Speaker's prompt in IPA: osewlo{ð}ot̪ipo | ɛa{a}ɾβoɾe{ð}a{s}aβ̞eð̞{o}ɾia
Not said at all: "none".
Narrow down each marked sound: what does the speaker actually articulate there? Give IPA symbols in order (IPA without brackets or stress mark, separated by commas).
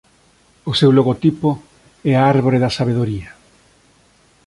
ɣ, a, ð, s, o